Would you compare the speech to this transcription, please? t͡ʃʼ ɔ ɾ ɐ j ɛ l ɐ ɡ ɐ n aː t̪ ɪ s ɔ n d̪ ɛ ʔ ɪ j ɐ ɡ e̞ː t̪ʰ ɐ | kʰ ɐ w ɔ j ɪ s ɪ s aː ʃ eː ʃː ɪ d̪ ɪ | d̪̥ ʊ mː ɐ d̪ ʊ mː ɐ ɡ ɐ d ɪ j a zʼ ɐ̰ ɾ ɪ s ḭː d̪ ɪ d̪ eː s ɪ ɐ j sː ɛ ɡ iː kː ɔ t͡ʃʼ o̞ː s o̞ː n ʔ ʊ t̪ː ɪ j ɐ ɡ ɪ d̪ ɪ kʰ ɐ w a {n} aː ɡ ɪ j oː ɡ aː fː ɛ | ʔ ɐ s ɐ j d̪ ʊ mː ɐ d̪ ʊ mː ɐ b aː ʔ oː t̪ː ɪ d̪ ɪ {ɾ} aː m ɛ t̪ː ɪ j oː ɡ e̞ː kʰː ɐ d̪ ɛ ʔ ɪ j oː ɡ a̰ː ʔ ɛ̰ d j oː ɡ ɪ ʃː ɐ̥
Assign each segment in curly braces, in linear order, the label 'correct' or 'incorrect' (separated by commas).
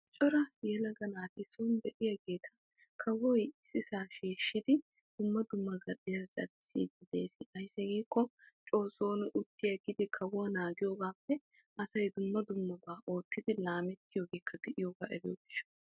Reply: correct, incorrect